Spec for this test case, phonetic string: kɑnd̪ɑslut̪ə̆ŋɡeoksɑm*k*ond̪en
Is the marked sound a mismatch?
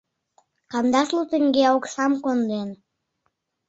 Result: no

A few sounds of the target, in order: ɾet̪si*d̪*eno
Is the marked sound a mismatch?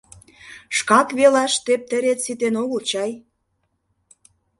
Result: yes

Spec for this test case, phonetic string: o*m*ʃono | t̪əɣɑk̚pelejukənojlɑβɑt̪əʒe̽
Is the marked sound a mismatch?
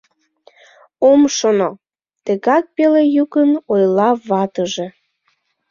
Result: no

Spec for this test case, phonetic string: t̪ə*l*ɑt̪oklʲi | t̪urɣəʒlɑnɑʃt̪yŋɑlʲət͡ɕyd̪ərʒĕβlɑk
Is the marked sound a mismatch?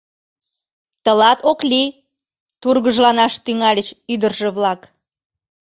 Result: no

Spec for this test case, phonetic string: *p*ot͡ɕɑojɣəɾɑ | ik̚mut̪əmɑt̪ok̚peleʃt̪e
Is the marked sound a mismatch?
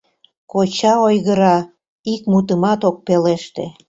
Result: yes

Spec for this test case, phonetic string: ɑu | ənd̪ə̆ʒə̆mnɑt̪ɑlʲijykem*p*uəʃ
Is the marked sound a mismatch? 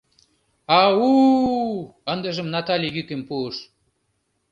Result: no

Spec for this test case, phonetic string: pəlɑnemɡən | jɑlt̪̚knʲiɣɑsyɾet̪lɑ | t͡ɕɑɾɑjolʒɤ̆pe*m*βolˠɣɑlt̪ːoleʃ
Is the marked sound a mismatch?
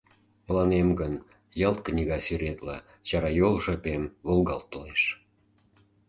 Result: no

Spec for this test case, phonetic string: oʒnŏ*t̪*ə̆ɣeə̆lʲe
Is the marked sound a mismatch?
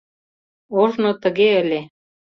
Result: no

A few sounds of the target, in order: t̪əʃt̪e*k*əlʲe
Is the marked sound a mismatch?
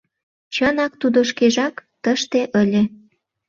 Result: yes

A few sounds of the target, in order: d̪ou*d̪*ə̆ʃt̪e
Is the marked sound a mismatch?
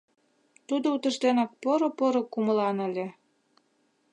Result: yes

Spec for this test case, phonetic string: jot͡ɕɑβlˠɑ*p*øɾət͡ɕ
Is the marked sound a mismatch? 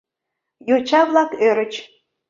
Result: yes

